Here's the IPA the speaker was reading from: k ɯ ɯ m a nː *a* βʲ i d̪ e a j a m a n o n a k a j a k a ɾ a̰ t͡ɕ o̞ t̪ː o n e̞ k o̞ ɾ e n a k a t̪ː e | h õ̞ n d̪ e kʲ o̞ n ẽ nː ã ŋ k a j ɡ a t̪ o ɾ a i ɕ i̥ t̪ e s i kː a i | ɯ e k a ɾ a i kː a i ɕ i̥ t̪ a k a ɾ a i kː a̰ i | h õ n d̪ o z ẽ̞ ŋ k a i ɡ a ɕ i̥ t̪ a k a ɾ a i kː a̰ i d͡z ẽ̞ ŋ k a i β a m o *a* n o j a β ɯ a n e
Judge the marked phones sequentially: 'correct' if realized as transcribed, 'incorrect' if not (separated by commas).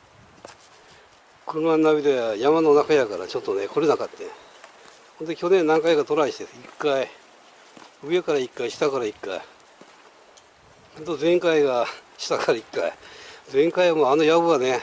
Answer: correct, correct